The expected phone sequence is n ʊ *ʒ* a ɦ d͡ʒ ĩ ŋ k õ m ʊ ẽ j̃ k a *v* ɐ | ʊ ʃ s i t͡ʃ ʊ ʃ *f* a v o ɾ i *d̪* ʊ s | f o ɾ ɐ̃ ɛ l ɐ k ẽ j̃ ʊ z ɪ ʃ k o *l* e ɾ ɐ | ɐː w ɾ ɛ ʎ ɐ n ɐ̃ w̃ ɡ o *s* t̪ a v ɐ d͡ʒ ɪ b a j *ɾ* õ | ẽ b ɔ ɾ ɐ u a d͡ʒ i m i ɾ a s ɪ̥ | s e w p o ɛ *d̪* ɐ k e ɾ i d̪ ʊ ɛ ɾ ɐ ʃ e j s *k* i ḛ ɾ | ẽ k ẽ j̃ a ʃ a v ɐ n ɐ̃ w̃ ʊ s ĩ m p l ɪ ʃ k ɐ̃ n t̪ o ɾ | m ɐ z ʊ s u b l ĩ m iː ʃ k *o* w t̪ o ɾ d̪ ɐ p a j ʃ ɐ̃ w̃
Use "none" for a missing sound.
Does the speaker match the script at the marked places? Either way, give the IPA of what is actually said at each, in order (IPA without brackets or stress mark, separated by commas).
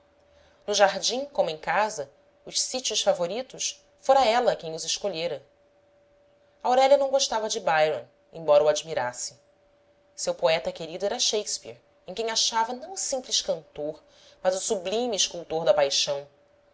ʒ, z, f, t̪, ʎ, ʃ, ɾ, t̪, p, u